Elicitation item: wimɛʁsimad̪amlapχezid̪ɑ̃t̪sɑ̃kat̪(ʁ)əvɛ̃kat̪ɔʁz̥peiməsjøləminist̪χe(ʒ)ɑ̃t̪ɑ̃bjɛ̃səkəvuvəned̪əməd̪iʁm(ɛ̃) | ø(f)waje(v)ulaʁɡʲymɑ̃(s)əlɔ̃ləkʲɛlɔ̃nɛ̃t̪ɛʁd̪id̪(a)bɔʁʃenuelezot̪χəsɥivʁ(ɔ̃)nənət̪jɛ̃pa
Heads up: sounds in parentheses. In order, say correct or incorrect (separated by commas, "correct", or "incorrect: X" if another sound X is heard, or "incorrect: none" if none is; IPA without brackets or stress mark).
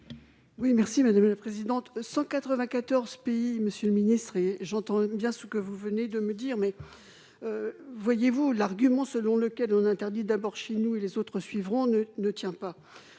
incorrect: χ, correct, incorrect: ɛ, incorrect: v, correct, correct, correct, correct